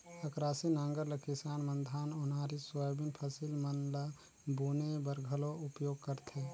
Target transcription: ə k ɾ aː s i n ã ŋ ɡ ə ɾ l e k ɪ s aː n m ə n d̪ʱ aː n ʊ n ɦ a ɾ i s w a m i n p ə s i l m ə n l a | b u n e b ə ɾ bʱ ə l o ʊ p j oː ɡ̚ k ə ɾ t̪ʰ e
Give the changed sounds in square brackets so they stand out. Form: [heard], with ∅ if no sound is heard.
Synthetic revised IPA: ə k ɾ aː s i n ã ŋ ɡ ə ɾ l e k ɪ s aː n m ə n d̪ʱ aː n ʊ n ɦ a ɾ i s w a [b] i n [pʰ] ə s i l m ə n l a | b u n e b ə ɾ [ɡʱ] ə l o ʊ p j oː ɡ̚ k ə ɾ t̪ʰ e